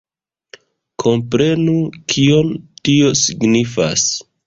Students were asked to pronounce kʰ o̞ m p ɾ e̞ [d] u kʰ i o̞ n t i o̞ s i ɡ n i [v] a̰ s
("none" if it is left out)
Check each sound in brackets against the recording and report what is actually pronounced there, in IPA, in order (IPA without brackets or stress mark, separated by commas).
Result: n, f